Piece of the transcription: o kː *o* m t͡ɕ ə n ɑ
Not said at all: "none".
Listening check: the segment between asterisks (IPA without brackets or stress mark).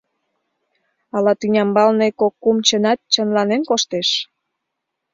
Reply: u